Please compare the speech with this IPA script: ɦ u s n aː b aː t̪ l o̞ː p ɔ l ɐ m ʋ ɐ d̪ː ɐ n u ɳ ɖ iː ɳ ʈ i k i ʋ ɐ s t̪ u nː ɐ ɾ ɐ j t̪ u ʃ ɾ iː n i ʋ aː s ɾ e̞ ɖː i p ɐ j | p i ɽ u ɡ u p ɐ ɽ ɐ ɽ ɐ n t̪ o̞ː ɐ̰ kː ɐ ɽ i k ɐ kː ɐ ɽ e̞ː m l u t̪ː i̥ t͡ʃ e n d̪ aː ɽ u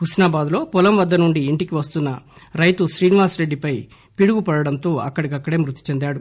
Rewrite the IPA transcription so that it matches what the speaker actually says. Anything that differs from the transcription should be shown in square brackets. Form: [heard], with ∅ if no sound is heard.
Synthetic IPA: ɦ u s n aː b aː [d̪] l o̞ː p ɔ l ɐ m ʋ ɐ d̪ː ɐ n u ɳ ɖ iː ɳ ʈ i k i ʋ ɐ s t̪ u nː ɐ ɾ ɐ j t̪ u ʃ ɾ iː n i ʋ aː s ɾ e̞ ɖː i p ɐ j | p i ɽ u ɡ u p ɐ ɽ ɐ ɽ ɐ n t̪ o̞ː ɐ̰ kː ɐ ɽ i k ɐ kː ɐ ɽ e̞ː m [ɾ] u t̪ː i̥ t͡ʃ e n d̪ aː ɽ u